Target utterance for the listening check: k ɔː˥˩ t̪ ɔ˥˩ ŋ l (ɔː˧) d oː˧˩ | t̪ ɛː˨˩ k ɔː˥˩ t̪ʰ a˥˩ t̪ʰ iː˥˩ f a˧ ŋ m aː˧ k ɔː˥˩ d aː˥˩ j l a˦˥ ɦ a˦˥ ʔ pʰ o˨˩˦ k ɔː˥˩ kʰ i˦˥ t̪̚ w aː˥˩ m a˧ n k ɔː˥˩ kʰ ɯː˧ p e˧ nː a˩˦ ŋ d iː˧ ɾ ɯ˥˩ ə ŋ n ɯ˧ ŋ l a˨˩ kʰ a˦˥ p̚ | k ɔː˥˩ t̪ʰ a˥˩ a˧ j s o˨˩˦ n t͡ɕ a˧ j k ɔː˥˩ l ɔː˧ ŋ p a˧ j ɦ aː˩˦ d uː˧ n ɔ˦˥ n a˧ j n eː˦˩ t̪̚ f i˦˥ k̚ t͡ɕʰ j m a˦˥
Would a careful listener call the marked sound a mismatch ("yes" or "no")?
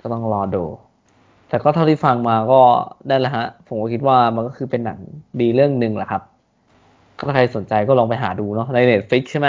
no